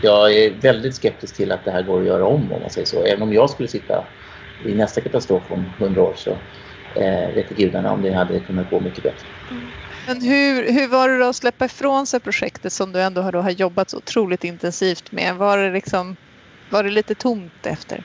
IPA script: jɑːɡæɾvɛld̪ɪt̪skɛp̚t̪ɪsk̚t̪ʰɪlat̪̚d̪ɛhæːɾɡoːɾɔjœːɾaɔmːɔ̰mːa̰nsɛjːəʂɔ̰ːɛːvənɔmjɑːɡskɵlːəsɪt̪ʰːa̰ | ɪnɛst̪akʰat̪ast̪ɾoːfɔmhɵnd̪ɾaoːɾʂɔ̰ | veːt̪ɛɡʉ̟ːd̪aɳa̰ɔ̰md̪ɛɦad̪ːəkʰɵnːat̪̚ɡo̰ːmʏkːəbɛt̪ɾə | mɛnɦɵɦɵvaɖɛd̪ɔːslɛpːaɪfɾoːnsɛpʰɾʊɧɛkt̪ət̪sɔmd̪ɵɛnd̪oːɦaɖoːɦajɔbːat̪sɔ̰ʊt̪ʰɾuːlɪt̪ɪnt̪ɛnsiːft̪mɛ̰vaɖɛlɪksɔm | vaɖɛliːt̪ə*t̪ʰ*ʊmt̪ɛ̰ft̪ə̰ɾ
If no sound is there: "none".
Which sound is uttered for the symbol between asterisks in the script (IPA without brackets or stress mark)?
t̪ʰ